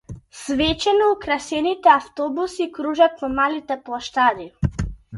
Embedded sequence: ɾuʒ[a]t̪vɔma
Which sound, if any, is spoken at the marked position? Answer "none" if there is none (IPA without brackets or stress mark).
a